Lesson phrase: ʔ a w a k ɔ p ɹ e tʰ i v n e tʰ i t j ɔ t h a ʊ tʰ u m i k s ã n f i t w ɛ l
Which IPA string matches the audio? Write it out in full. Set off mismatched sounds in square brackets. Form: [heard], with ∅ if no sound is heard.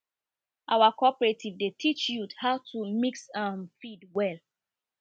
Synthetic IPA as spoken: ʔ a w a k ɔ p ɹ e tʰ i v [d] e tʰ i [t͡ʃ] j [u] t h a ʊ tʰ u m i k s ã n f i [d] w ɛ l

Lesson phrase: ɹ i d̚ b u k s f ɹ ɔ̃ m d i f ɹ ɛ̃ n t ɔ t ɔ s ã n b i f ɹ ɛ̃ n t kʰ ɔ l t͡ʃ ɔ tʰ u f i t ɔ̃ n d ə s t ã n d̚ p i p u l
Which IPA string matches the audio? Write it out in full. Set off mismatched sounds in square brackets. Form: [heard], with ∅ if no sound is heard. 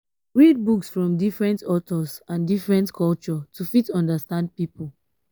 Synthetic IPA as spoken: ɹ i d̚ b u k s f ɹ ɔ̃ m d i f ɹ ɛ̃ n t ɔ t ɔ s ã n [d] i f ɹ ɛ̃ n t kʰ ɔ l t͡ʃ ɔ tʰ u f i t ɔ̃ n d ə s t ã n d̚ p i p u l

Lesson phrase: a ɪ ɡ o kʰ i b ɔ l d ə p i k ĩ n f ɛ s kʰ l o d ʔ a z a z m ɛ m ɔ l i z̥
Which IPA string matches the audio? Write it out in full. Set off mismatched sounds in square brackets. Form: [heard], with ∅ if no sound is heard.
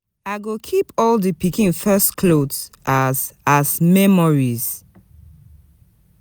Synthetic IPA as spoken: a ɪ ɡ o kʰ i [p] ɔ l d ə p i k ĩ n f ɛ s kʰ l o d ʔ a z a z m ɛ m ɔ [ɹ] i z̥

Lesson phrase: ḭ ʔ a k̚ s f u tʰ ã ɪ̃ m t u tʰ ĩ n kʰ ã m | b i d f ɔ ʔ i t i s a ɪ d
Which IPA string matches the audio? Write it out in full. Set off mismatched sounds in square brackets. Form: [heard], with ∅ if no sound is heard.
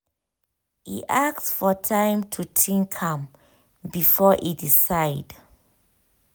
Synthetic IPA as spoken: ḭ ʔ a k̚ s f [ɔ] tʰ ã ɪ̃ m [tʰ] u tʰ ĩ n kʰ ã m | b i [∅] f ɔ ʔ i [d] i s a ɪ d

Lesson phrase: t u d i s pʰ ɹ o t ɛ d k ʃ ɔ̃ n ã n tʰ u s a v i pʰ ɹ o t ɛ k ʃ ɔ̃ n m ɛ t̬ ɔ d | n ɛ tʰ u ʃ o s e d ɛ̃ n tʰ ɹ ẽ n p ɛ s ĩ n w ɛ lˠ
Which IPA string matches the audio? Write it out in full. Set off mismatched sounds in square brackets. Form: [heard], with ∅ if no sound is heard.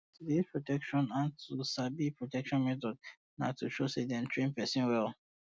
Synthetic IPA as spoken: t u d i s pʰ ɹ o t ɛ [∅] k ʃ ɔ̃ n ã n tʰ u s a [b] i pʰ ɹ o t ɛ k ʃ ɔ̃ n m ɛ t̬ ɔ d | n [a] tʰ u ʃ o s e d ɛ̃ n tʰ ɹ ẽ n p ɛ s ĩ n w ɛ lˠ

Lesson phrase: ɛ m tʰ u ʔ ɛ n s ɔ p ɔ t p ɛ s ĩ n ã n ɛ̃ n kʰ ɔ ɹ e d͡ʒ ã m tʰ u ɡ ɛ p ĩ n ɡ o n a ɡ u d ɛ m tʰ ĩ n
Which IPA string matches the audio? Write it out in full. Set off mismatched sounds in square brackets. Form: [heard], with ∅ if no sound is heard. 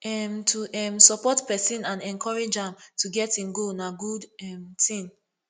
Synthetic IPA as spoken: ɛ m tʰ u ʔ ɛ [m] s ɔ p ɔ t p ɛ s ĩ n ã n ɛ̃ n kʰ ɔ ɹ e d͡ʒ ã m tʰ u ɡ ɛ [t] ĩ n ɡ o n a ɡ u d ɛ m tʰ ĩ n

